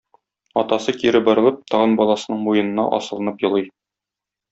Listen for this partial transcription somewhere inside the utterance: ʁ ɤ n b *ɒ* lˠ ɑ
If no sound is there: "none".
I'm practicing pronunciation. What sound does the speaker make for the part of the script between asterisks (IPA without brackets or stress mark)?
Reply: ɒ